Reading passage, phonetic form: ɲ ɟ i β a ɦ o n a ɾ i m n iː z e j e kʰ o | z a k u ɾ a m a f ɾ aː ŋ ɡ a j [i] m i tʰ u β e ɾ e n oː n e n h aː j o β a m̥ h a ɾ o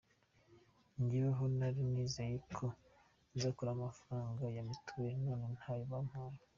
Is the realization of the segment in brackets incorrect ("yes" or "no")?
yes